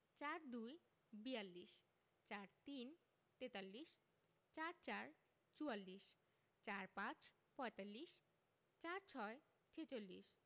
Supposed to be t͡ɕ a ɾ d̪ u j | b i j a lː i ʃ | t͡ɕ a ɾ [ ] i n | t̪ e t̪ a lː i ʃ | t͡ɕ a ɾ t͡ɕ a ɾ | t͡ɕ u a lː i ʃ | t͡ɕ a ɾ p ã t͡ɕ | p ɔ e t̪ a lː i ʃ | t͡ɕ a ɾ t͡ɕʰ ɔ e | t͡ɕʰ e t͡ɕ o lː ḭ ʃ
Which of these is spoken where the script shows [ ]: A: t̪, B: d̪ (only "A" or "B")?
A